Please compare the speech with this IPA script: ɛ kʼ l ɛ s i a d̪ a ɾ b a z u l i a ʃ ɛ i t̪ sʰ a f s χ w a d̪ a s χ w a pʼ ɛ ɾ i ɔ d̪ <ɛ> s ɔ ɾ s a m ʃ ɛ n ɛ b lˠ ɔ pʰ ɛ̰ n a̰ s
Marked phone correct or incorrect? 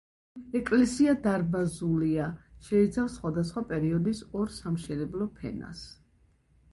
incorrect